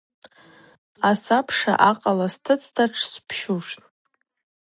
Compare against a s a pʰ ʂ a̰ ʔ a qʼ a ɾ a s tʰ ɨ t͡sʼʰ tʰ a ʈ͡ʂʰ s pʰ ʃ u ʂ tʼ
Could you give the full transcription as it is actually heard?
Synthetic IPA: a s a pʰ ʂ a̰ ʔ a qʼ a l a s tʰ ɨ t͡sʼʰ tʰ a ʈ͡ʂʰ s pʰ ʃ u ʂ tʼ